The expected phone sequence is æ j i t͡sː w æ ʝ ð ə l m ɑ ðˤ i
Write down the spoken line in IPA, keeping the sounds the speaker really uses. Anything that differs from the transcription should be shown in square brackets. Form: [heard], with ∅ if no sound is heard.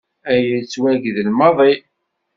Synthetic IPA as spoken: æ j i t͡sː w æ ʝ ð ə l m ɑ ðˤ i